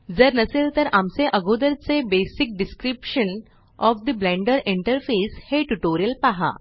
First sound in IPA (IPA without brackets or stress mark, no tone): d͡z